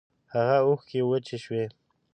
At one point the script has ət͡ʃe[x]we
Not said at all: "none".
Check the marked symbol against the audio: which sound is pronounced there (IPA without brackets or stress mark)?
ʃ